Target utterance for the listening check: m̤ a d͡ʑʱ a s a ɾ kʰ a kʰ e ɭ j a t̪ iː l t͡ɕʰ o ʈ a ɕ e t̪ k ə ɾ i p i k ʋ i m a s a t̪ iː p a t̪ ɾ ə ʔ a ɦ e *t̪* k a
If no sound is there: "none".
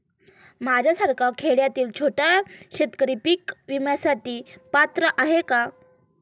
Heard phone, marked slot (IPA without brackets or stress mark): none